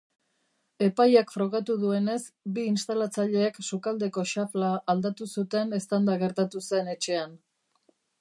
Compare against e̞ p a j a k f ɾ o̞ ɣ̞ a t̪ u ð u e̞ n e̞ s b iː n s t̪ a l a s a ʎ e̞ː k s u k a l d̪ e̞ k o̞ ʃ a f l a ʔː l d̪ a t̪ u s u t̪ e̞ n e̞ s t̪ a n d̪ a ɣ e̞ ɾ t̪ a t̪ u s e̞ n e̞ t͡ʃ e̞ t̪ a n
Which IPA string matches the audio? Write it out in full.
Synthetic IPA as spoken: e̞ p a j a k f ɾ o̞ ɣ̞ a t̪ u ð u e̞ n e̞ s b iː n s t̪ a l a t͡s a ʎ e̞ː k s u k a l d̪ e̞ k o̞ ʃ a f l a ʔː l d̪ a t̪ u s u t̪ e̞ n e̞ s t̪ a n d̪ a ɣ e̞ ɾ t̪ a t̪ u s e̞ n e̞ t͡ʃ e̞ a n